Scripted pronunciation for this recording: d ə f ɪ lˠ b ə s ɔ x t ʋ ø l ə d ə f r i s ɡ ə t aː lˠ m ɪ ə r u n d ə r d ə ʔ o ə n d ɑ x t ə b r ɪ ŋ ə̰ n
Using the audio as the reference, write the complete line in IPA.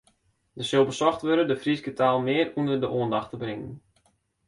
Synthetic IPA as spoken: d ə s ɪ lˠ b ə s ɔ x t ʋ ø ɾ ə d ə f r i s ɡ ə t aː lˠ m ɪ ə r u n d ə r d ə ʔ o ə n d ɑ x t ə b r ɪ ŋ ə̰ n